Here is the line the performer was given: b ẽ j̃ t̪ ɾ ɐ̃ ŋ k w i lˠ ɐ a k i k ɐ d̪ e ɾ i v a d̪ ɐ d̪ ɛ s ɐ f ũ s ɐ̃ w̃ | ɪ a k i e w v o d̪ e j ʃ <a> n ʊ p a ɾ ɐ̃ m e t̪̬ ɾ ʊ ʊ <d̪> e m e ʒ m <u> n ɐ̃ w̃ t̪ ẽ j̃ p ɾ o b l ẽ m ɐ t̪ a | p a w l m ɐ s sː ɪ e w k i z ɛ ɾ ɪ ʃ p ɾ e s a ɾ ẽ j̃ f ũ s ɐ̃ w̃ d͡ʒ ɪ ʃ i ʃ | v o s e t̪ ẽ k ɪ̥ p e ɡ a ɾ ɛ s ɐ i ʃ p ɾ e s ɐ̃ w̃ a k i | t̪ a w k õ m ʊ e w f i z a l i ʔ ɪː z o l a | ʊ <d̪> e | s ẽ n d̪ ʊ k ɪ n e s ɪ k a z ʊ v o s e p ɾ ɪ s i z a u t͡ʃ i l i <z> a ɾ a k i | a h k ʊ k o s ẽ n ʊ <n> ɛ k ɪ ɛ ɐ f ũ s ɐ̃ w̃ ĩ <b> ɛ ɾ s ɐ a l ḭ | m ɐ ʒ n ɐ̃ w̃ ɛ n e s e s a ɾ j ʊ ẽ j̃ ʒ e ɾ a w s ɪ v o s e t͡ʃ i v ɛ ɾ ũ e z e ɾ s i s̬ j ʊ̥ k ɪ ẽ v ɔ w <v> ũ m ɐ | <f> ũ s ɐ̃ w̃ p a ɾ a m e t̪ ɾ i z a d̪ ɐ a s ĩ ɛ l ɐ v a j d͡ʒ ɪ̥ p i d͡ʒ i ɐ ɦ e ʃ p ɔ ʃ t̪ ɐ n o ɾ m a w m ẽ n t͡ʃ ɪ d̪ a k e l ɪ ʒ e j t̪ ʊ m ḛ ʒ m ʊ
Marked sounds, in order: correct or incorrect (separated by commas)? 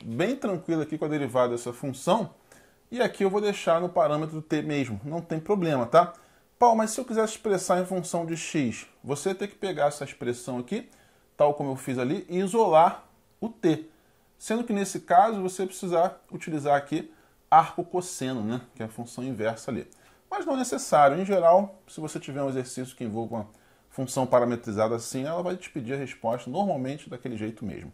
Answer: correct, incorrect, incorrect, incorrect, correct, correct, incorrect, correct, correct